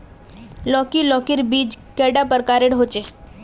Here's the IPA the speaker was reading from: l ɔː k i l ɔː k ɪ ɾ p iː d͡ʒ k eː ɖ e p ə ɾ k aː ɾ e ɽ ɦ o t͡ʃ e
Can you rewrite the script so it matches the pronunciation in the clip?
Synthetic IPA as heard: l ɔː k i l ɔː k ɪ ɾ b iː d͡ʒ k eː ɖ a p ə ɾ k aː ɾ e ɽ ɦ o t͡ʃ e